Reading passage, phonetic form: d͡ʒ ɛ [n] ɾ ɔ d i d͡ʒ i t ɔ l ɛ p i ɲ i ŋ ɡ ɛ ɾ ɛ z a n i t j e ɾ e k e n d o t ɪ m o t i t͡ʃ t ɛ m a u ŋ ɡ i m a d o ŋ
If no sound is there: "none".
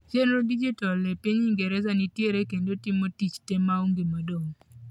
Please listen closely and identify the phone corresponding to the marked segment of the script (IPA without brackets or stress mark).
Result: n